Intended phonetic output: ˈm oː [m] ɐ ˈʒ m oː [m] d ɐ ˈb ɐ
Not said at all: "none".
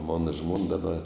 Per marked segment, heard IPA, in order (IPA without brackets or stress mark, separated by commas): n, n